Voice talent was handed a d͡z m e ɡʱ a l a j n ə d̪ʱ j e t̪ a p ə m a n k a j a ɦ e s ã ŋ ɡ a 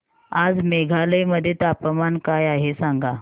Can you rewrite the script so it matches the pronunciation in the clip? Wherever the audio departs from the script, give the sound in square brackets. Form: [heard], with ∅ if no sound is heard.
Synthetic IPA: a d͡z m e ɡʱ a l [ə] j [m] ə d̪ʱ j e t̪ a p ə m a n k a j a ɦ e s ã ŋ ɡ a